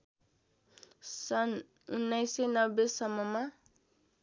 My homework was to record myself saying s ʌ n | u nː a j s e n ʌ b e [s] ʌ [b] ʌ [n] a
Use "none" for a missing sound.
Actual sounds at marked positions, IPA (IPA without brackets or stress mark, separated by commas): s, m, m